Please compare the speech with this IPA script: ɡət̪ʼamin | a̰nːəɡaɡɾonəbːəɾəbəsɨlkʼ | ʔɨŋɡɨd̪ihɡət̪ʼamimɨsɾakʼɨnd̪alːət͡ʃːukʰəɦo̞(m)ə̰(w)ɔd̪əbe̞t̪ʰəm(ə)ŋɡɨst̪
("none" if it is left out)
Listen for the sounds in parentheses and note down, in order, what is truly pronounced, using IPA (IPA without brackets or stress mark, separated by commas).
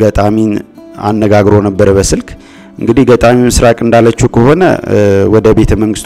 n, w, ə